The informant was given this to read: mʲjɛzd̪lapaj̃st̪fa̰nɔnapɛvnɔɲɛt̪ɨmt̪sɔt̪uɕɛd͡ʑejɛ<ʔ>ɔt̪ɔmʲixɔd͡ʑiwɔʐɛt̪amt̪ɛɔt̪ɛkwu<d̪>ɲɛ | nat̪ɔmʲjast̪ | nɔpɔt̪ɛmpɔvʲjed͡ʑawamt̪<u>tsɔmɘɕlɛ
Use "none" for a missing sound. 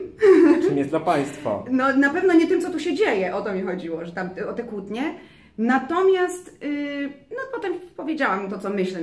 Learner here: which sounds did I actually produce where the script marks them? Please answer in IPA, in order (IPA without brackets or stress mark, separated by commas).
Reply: ʔ, t̪, ɔ